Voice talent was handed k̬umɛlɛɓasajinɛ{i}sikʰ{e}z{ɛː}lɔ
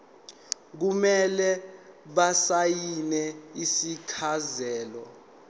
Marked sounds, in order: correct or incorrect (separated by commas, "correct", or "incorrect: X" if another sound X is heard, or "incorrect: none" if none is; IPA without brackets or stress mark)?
correct, incorrect: a, correct